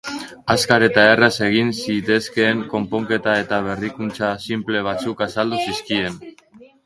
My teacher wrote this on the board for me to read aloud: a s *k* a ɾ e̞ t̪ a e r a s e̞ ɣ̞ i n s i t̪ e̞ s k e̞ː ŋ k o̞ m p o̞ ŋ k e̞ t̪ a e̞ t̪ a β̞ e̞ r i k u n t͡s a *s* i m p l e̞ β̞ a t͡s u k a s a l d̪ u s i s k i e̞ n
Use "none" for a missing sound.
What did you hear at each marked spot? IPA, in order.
k, s

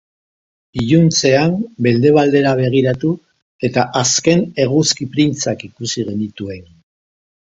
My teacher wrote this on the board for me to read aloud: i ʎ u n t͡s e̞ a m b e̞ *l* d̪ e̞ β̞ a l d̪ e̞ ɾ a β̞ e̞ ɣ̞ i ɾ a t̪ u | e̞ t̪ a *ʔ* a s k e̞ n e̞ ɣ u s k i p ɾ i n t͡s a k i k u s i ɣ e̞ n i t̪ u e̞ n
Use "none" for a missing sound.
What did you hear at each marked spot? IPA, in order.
l, ʔ

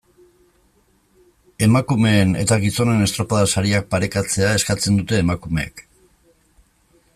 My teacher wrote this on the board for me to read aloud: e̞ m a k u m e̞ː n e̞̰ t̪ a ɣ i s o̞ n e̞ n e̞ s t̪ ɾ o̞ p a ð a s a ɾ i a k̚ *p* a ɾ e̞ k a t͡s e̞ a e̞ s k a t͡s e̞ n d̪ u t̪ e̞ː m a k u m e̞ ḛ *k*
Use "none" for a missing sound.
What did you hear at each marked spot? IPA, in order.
p, k

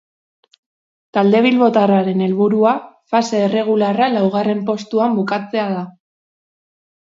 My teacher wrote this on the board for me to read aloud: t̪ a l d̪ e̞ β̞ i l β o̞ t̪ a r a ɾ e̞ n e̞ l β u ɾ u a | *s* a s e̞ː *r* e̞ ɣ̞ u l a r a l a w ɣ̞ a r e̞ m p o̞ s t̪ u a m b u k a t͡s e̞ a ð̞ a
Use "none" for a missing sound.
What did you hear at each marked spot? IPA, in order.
f, r

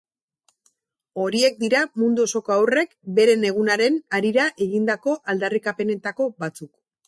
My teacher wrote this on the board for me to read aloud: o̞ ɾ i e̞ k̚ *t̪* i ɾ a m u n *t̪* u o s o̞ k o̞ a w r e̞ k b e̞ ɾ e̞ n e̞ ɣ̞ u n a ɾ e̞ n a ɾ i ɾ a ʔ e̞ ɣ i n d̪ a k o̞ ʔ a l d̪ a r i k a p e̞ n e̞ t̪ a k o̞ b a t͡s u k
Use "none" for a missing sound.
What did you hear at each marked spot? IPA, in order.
d̪, d̪

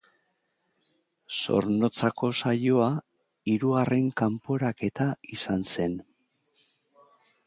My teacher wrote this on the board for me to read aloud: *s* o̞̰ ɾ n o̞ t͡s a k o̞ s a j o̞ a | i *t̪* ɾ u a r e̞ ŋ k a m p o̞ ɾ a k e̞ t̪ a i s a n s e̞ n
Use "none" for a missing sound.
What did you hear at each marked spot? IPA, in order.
s, none

